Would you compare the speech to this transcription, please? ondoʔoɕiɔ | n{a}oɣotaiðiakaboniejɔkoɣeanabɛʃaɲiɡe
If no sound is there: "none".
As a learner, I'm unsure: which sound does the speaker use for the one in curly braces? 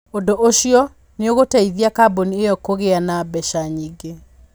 e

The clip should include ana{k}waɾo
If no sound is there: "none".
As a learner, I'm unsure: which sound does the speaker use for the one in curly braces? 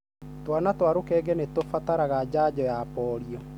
t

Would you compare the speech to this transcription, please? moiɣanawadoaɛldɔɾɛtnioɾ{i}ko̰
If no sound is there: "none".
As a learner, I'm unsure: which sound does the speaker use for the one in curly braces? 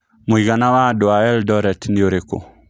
e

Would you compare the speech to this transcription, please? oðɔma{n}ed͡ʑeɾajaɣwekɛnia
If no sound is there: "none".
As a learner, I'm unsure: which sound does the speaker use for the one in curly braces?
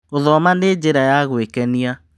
n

